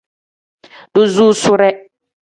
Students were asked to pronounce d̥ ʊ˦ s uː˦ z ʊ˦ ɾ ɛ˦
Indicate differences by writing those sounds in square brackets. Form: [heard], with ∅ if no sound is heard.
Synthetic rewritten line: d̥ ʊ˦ [z] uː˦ [s] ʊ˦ ɾ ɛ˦

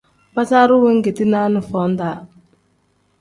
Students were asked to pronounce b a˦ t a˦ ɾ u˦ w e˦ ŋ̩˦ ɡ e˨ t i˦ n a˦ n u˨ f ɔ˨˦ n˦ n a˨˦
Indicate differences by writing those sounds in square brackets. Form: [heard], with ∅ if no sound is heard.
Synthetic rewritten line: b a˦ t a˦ ɾ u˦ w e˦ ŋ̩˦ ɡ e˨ t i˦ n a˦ n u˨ f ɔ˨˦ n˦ [d] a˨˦

